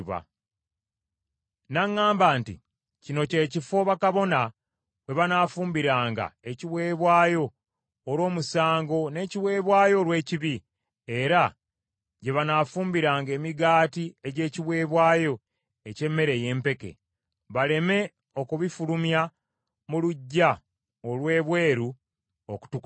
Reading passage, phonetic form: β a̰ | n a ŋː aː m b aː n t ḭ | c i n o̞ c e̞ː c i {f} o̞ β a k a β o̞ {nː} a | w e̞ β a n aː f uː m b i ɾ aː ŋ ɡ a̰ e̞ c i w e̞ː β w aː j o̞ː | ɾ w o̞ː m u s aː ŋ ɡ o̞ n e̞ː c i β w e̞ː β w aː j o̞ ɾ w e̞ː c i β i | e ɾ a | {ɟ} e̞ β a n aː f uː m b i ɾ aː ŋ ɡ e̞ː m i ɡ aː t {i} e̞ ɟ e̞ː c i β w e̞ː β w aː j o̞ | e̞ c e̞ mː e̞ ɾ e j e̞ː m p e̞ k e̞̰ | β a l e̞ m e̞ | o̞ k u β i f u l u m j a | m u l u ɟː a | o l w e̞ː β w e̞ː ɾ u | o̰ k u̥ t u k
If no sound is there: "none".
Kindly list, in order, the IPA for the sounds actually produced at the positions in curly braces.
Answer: f, n, ɟ, i

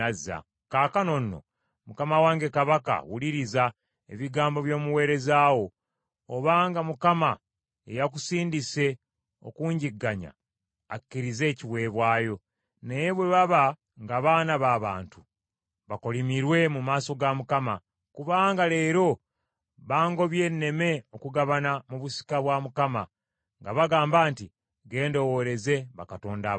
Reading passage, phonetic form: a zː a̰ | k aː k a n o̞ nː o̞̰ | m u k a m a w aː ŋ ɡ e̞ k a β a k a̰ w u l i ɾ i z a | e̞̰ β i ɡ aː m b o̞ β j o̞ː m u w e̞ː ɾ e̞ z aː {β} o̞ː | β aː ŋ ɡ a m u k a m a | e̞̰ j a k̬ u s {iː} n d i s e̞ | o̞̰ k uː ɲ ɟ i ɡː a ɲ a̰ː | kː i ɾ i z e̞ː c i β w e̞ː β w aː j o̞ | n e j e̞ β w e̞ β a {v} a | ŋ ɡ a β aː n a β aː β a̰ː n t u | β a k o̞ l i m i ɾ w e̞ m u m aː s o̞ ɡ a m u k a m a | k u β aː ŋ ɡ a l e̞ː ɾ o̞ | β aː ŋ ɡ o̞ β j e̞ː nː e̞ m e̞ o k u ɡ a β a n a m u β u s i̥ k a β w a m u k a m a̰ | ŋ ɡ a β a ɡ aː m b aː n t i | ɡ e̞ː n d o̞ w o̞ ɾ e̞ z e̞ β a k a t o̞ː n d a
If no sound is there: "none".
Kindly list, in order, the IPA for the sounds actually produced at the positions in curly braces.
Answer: w, iː, β

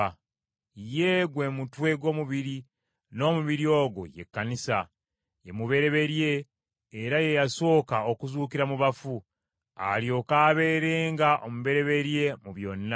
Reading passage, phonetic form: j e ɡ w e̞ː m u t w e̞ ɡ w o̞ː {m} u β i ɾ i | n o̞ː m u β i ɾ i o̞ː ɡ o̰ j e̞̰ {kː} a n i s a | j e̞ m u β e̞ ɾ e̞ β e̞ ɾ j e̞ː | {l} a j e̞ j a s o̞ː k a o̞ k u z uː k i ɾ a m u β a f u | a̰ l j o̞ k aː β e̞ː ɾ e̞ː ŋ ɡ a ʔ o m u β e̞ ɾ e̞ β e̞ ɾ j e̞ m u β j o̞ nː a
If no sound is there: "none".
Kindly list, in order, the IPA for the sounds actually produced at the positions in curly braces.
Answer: m, kː, ɾ

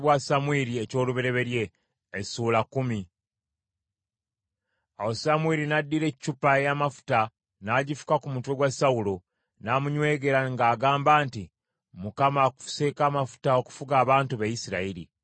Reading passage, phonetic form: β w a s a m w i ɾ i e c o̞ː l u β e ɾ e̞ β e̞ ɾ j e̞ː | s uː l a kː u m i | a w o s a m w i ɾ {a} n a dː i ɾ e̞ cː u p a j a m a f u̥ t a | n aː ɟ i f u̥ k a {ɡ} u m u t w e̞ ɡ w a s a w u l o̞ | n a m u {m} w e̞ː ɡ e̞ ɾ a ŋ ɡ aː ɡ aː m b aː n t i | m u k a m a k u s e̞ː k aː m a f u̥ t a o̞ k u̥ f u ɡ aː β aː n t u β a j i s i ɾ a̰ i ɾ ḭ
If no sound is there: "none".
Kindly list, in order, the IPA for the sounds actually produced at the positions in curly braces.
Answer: i, k, ɲ

